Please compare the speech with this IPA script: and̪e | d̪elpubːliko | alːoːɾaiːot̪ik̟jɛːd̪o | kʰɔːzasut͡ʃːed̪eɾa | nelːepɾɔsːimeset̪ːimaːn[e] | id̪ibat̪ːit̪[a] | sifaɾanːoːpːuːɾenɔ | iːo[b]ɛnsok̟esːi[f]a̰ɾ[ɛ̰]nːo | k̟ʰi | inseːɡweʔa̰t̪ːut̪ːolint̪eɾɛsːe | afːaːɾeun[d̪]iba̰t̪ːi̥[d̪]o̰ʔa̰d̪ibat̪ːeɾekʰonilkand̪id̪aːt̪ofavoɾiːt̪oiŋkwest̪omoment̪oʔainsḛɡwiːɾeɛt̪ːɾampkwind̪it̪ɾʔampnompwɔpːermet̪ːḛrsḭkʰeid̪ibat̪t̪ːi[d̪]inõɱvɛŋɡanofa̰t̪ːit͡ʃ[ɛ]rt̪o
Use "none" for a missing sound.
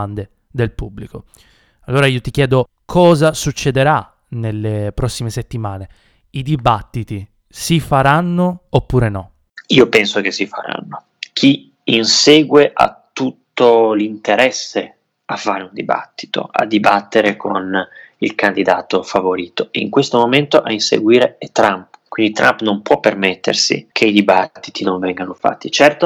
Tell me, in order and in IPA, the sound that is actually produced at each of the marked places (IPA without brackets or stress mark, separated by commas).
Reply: e, i, p, f, a̰, d̪, t̪, t̪, ɛ